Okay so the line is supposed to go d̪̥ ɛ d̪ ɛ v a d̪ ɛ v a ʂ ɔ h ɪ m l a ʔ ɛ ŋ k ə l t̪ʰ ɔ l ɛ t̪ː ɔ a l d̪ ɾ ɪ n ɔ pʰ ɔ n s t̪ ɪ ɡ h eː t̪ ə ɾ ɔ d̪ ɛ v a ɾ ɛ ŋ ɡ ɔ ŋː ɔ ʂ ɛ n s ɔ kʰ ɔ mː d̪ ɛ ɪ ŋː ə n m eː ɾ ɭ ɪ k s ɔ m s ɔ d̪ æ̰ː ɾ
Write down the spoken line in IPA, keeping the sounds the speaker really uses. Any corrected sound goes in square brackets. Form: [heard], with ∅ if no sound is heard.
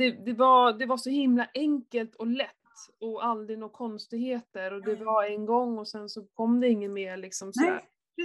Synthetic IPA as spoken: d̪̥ ɛ d̪ ɛ v a d̪ ɛ v a ʂ ɔ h ɪ m l a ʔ ɛ ŋ k ə l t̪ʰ ɔ l ɛ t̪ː ɔ a l d̪ ɾ ɪ n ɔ [kʰ] ɔ n s t̪ ɪ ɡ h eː t̪ ə ɾ ɔ d̪ ɛ v a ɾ ɛ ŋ ɡ ɔ ŋː ɔ [s] ɛ n s ɔ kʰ ɔ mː d̪ ɛ ɪ ŋː ə n m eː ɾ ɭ ɪ k s ɔ m s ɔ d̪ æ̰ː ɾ